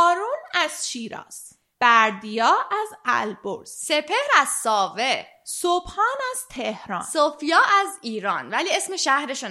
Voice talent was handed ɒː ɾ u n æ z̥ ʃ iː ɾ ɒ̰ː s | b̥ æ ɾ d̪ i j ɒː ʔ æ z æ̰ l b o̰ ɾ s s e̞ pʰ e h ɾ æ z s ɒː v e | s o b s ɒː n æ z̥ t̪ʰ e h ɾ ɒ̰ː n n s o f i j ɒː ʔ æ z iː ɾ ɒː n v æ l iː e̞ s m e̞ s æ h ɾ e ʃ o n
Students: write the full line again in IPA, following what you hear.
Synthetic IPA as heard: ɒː ɾ u n æ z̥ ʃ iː ɾ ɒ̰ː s | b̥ æ ɾ d̪ i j ɒː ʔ æ z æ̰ l b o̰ ɾ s s e̞ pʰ e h ɾ æ z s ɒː v e | s o b h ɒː n æ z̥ t̪ʰ e h ɾ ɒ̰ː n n s o f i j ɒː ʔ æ z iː ɾ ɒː n v æ l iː e̞ s m e̞ ʃ æ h ɾ e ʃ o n